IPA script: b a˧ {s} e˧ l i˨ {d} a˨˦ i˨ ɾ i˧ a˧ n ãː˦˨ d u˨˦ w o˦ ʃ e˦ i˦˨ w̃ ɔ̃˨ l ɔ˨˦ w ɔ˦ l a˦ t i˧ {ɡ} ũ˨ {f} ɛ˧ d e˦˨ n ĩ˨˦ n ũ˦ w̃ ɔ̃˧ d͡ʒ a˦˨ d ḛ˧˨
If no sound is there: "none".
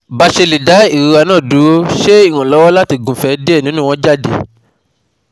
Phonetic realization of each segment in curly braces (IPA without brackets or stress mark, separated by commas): ʃ, d, ɡ, f